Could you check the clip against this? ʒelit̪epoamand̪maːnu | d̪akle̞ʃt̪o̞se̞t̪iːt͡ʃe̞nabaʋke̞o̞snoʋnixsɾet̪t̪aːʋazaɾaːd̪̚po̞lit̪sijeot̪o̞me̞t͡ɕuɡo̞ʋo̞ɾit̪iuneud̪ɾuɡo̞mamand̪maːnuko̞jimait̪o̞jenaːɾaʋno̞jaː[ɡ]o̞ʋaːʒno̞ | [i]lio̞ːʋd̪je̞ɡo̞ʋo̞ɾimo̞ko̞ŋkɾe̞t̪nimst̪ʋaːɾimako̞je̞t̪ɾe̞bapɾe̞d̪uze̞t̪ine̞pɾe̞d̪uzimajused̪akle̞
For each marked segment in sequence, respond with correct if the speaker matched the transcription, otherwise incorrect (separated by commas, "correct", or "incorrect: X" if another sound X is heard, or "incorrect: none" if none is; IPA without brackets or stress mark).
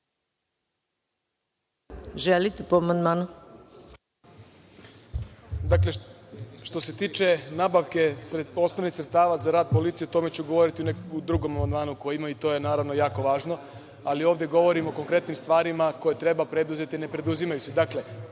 incorrect: k, incorrect: a